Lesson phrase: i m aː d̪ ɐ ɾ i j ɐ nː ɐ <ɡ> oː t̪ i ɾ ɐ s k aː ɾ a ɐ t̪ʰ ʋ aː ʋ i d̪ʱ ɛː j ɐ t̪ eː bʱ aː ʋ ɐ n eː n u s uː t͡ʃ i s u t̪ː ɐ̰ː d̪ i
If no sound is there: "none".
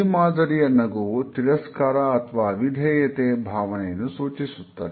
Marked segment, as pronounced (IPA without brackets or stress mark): ɡ